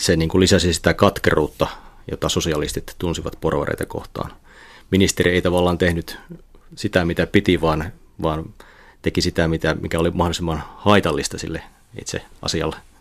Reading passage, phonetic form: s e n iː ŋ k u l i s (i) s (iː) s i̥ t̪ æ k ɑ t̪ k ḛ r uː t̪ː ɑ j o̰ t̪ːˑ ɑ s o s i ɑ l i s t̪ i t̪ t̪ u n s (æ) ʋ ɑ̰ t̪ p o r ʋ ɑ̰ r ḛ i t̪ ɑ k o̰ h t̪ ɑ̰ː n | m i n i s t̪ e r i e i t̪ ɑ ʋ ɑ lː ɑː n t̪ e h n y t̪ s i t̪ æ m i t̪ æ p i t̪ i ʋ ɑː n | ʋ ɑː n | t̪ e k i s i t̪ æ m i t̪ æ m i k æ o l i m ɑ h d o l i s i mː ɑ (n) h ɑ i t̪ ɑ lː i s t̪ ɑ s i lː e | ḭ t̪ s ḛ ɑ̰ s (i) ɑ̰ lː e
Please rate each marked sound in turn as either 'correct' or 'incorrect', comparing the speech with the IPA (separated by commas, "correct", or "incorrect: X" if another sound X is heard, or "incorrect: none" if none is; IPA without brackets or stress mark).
incorrect: æ, incorrect: i, incorrect: i, correct, correct